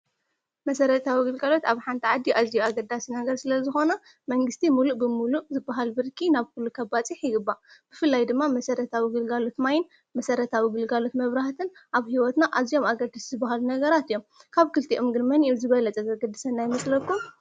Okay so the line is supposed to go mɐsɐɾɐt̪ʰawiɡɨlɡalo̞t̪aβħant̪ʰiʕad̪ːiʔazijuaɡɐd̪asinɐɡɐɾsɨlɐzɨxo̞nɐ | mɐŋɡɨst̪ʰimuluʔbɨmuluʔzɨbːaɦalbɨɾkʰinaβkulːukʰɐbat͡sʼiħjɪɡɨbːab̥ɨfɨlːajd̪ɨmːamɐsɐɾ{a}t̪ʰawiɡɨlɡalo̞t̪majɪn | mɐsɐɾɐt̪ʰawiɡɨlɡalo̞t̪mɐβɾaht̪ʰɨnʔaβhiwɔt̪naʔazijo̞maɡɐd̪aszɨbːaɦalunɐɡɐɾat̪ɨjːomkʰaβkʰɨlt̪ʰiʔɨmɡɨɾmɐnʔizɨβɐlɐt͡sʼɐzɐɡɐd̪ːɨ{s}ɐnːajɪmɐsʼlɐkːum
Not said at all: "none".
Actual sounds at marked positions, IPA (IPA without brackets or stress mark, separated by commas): ɐ, s